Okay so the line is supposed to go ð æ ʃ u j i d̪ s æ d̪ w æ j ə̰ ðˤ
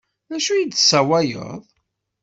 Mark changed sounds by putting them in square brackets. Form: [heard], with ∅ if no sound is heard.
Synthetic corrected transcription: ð æ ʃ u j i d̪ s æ [∅] w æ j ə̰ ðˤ